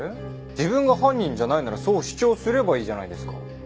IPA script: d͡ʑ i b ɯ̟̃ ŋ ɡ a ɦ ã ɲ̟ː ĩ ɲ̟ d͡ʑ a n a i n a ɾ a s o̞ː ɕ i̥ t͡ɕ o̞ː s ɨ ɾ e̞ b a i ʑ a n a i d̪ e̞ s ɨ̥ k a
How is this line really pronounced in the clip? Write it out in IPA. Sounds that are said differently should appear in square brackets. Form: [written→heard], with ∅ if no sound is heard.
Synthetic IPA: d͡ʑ i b ɯ̟̃ ŋ ɡ a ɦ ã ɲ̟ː ĩ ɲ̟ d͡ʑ a n a i n a ɾ a s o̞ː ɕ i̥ t͡ɕ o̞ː s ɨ ɾ e̞ b a [i→iː] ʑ a n a i d̪ e̞ s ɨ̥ k a